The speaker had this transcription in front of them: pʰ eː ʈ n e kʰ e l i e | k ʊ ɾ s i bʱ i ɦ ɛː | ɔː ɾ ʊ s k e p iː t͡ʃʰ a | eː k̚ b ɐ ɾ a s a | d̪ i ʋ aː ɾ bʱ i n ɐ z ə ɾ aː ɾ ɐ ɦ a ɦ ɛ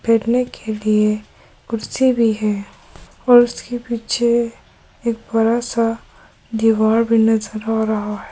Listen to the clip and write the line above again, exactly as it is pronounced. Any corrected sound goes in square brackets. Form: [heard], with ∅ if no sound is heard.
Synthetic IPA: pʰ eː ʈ n e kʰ e l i e | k ʊ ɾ s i bʱ i ɦ ɛː | ɔː ɾ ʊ s k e p iː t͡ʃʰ [e] | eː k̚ b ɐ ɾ a s a | d̪ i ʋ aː ɾ bʱ i n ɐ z ə ɾ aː ɾ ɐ ɦ a ɦ ɛ